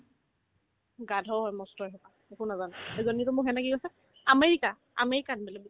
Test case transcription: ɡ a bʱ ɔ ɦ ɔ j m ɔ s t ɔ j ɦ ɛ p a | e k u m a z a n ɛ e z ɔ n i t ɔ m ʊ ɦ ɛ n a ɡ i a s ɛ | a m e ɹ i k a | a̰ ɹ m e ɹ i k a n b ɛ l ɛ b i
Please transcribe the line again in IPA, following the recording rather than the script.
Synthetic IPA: ɡ a dʱ ɔ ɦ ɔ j m ɔ s t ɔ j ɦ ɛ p a | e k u n a z a n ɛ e z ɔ n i t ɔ m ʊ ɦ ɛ n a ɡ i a s ɛ | a m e ɹ i k a | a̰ m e ɹ i k a n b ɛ l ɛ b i